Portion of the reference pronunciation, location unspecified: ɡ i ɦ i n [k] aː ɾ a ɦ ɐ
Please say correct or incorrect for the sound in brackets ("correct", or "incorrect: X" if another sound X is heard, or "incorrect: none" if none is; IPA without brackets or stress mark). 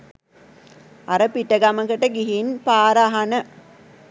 incorrect: p